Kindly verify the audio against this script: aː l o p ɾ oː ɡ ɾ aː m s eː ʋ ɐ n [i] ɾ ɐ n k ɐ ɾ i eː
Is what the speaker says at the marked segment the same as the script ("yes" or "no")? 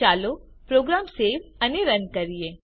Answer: no